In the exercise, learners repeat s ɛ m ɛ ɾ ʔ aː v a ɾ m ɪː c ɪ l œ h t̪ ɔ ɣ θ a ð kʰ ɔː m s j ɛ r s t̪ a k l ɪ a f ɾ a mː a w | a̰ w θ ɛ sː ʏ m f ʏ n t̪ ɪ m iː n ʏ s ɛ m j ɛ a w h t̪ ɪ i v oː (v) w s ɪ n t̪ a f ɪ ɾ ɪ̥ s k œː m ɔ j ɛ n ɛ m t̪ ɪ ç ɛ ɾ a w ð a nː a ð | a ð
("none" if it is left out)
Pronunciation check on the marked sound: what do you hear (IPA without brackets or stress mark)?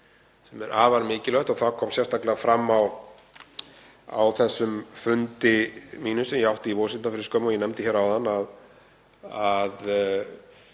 none